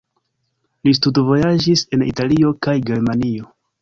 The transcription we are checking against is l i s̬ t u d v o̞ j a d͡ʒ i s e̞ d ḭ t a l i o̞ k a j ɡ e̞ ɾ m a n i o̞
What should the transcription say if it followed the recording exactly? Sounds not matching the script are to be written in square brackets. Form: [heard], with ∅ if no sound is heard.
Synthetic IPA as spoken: l i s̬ t u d v o̞ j a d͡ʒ i s e̞ [n] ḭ t a l i o̞ k a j ɡ e̞ ɾ m a n i o̞